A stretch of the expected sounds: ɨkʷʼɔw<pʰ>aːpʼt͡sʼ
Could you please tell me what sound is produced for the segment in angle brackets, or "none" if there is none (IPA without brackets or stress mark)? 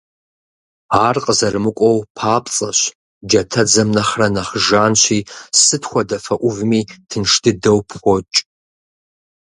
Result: pʰ